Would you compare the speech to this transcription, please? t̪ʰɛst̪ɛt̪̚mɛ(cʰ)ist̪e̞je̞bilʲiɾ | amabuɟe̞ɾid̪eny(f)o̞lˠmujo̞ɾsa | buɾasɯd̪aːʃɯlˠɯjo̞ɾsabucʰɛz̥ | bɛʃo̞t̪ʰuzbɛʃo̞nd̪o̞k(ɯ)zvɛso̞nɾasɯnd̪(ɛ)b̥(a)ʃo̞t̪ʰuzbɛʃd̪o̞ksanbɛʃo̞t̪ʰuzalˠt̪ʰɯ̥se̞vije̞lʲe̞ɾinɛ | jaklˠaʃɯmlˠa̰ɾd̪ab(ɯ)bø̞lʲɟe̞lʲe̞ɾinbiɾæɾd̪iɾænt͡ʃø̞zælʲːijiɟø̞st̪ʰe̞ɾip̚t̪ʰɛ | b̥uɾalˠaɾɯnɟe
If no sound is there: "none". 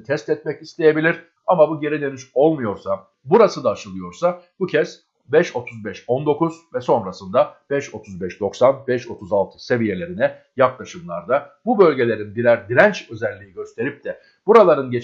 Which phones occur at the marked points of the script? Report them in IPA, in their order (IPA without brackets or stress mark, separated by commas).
c, ʃ, u, a, ɛ, u